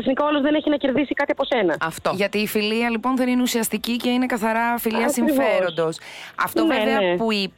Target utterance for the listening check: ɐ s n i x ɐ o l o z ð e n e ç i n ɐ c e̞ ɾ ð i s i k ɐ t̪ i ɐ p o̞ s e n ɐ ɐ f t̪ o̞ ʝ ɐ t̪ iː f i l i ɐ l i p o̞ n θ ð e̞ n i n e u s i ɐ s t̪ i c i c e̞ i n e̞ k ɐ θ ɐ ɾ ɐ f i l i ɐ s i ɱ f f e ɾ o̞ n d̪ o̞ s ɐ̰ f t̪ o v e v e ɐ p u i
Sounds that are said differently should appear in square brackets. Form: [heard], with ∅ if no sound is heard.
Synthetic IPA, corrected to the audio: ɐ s n i [k] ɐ o l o z ð e n e ç i n ɐ c e̞ ɾ ð i s i k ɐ t̪ i ɐ p o̞ s e n ɐ ɐ f t̪ o̞ ʝ ɐ t̪ iː f i l i ɐ l i p o̞ n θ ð e̞ n i n e u s i ɐ s t̪ i c i c e̞ i n e̞ k ɐ θ ɐ ɾ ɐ f i l i ɐ s i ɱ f f e ɾ o̞ n d̪ o̞ s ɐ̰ f t̪ o v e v e ɐ p u i